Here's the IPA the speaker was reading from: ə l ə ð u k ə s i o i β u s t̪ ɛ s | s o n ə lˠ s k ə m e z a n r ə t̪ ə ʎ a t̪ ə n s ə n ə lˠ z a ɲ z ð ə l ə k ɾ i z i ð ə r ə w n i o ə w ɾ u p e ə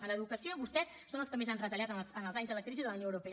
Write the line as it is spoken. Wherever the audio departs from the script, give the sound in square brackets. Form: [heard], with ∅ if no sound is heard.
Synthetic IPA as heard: ə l ə ð u k ə s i o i β u s t̪ ɛ s | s o n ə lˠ s k ə m e z a n r ə t̪ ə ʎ a t̪ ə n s ə n ə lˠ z a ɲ z ð ə l ə k ɾ i z i ð ə [l] ə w n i o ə w ɾ u p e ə